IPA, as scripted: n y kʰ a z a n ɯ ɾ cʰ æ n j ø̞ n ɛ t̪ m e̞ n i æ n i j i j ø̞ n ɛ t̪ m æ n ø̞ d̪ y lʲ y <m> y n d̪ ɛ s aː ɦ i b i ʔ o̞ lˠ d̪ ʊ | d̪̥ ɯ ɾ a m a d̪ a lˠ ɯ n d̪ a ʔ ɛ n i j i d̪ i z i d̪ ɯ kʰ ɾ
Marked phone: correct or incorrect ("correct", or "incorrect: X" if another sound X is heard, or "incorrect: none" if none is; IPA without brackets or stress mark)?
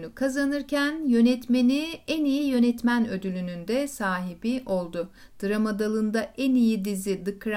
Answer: incorrect: n